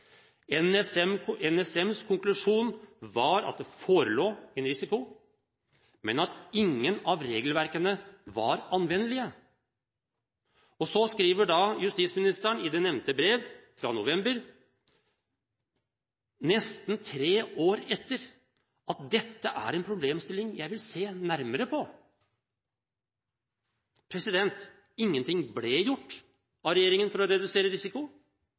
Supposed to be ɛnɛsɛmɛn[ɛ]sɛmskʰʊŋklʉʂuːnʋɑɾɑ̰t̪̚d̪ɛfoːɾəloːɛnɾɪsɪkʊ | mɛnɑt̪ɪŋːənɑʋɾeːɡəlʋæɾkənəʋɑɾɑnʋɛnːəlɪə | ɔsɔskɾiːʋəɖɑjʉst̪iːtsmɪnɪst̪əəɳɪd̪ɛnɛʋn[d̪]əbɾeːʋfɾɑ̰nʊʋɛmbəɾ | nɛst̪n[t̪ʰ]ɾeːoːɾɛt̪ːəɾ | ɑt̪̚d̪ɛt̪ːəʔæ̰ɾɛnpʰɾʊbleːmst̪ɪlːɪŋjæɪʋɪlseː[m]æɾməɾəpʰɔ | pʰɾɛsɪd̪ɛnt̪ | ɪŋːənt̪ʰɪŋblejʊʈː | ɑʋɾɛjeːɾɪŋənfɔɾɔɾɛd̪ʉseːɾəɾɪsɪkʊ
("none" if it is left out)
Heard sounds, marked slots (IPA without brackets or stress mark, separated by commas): ɛ, t̪, t̪ʰ, n